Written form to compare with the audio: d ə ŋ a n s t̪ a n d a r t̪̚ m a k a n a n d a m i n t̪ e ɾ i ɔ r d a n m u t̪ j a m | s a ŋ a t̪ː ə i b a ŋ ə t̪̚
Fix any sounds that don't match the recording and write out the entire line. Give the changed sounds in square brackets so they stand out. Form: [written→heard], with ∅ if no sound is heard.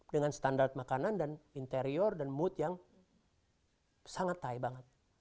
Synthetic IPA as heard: d ə ŋ a n s t̪ a n d a r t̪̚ m a k a n a n d a [m→n] i n t̪ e ɾ i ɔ r d a n m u t̪ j a [m→ŋ] | s a ŋ a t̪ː [ə→a] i b a ŋ ə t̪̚